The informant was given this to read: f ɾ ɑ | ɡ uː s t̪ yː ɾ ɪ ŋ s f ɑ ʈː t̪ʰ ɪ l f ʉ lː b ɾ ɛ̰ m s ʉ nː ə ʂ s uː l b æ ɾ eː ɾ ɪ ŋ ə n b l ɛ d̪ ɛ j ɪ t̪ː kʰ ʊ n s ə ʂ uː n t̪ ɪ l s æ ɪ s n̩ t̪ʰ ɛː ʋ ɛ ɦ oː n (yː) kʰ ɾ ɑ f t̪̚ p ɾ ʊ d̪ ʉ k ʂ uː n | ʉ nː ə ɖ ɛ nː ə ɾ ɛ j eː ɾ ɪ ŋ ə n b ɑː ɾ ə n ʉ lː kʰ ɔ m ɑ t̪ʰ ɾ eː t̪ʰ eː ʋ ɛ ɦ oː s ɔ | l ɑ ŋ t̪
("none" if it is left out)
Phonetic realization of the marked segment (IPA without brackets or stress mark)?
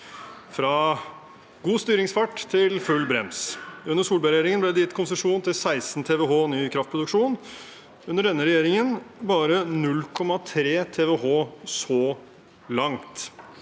yː